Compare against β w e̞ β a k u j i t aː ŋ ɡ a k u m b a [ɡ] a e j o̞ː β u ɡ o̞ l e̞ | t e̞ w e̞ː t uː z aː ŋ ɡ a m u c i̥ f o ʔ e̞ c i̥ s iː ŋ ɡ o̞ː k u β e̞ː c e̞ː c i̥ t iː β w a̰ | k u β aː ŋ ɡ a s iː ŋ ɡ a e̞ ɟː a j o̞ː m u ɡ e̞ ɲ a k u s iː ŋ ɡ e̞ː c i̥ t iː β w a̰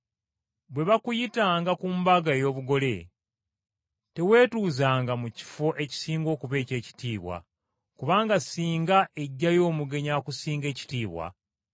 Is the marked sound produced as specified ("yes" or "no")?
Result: yes